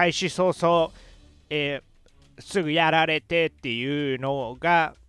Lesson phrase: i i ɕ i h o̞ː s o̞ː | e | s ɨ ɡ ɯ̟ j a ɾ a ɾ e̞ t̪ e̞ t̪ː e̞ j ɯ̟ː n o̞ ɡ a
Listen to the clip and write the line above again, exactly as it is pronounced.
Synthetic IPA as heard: a i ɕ i s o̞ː s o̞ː | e | s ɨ ɡ ɯ̟ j a ɾ a ɾ e̞ t̪ e̞ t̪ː e̞ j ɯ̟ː n o̞ ɡ a

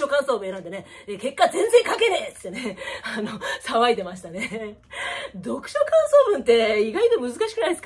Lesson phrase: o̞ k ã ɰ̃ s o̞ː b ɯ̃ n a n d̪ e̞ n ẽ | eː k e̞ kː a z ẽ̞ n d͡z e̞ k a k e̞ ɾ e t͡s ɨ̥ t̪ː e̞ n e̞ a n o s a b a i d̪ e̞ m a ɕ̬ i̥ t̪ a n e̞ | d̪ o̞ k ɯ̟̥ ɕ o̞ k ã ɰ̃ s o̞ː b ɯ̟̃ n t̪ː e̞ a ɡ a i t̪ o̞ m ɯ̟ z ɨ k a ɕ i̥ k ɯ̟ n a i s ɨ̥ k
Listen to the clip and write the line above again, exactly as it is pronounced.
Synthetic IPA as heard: o̞ k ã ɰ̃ s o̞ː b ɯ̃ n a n d̪ e̞ n e | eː k e̞ kː a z ẽ̞ n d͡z e̞ k a k e̞ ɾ e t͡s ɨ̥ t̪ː e̞ n e̞ a n o s a β a i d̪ e̞ m a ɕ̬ i̥ t̪ a n e̞ | d̪ o̞ k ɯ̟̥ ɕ o̞ k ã ɰ̃ s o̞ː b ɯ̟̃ n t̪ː e̞ i ɡ a i t̪ o̞ m ɯ̟ z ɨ k a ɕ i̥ k ɯ̟ n a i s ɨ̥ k

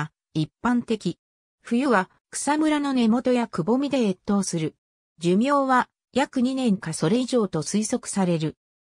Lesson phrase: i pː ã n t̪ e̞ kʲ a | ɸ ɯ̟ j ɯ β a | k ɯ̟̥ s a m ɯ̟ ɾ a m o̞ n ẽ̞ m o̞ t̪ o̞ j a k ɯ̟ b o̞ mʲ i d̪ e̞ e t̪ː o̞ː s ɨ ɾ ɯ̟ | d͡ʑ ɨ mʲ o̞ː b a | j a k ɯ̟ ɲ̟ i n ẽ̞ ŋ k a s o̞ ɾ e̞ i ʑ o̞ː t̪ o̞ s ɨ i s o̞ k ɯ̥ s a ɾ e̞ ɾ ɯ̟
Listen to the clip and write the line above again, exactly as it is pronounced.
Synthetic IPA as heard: i pː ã n t̪ e̞ kʲ i | ɸ ɯ̟ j ɯ β a | k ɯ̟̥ s a m ɯ̟ ɾ a n o̞ n e̞ m o̞ t̪ o̞ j a k ɯ̟ b o̞ mʲ i d̪ e̞ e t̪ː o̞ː s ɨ ɾ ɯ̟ | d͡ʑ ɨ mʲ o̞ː β a | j a k ɯ̟ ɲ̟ i n ẽ̞ ŋ k a s o̞ ɾ e̞ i ʑ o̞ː t̪ o̞ s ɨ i s o̞ k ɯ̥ s a ɾ e̞ ɾ ɯ̟

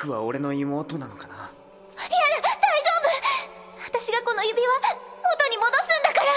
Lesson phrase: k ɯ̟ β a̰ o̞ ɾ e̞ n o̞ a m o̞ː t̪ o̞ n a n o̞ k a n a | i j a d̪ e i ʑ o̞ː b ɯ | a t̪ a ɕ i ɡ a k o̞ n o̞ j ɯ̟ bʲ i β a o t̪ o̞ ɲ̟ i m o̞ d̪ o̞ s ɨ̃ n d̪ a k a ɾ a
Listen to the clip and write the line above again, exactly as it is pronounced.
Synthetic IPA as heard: k ɯ̟ β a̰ o̞ ɾ e̞ n o̞ i m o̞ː t̪ o̞ n a n o̞ k a n a | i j a d̪ a i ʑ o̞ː b ɯ | a t̪ a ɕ i ɡ a k o̞ n o̞ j ɯ̟ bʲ i β a o t̪ o̞ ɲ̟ i m o̞ d̪ o̞ s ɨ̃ n d̪ a k a ɾ a

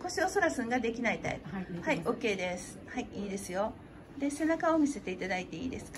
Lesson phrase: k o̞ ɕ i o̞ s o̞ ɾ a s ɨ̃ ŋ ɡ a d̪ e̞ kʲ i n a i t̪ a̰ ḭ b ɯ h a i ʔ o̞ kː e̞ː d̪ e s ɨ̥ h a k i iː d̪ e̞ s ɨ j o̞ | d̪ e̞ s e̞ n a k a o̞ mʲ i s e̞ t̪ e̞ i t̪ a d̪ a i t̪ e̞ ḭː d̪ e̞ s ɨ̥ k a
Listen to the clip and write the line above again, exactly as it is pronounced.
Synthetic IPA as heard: k o̞ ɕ i o̞ s o̞ ɾ a s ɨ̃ ŋ ɡ a d̪ e̞ kʲ i n a i t̪ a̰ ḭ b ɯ h a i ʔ o̞ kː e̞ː d̪ e s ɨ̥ h a i iː d̪ e̞ s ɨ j o̞ | d̪ e̞ s e̞ n a k a o̞ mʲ i s e̞ t̪ e̞ i t̪ a d̪ a i t̪ e̞ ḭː d̪ e̞ s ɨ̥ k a

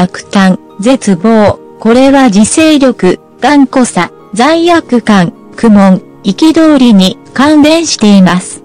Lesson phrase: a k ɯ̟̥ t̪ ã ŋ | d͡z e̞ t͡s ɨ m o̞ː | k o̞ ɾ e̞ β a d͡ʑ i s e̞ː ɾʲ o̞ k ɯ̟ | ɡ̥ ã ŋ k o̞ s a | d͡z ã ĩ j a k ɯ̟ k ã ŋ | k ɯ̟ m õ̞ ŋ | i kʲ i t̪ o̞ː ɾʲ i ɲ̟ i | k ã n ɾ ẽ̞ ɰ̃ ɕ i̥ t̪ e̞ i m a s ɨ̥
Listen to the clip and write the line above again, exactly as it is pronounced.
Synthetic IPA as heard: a k ɯ̟̥ t̪ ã ŋ | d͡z e̞ t͡s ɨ b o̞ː | k o̞ ɾ e̞ β a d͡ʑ i s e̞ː ɾʲ o̞ k ɯ̟ | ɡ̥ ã ŋ k o̞ s a | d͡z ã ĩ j a k ɯ̟ k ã ŋ | k ɯ̟ m õ̞ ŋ | i kʲ i d̪ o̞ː ɾʲ i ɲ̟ i | k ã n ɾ ẽ̞ ɰ̃ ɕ i̥ t̪ e̞ i m a s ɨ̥

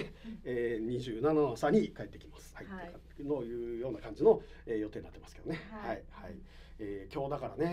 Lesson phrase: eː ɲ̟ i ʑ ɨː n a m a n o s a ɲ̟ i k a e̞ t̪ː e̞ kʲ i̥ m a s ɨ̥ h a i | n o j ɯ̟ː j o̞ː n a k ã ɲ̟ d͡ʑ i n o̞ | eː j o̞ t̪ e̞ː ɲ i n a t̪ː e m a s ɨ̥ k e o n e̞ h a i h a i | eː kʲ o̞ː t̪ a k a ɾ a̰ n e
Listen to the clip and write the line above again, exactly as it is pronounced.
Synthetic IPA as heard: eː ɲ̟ i ʑ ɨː n a n a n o s a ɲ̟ i k a e̞ t̪ː e̞ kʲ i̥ m a s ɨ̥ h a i | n o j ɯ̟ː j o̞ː n a k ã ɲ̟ d͡ʑ i n o̞ | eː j o̞ t̪ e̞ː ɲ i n a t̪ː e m a s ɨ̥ k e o n e̞ h a i h a i | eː kʲ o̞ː d̪ a k a ɾ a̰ n e

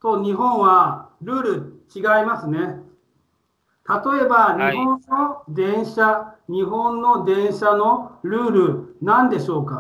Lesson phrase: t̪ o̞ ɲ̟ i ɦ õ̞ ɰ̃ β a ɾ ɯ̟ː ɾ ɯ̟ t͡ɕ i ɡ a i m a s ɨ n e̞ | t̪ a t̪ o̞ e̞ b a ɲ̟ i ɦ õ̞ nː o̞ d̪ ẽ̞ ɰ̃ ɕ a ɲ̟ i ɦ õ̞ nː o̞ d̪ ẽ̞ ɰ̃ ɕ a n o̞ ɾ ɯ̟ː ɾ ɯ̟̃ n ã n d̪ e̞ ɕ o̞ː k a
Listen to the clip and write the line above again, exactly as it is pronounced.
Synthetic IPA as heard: t̪ o̞ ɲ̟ i ɦ õ̞ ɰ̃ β a ɾ ɯ̟ː ɾ ɯ̟ t͡ɕ i ɡ a i m a s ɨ n e̞ | t̪ a t̪ o̞ e̞ b a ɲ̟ i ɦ õ̞ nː o̞ d̪ ẽ̞ ɰ̃ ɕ a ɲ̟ i ɦ õ̞ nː o̞ d̪ ẽ̞ ɰ̃ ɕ a n o̞ ɾ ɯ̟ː ɾ ɯ̟ n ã n d̪ e̞ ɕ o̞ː k a

